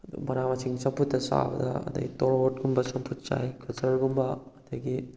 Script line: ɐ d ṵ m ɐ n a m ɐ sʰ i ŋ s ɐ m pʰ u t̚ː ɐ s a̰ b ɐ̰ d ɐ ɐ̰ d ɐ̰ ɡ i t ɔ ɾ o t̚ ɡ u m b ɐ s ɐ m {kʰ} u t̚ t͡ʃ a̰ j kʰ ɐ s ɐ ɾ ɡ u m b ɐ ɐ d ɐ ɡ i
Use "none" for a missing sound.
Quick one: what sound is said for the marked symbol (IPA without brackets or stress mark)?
pʰ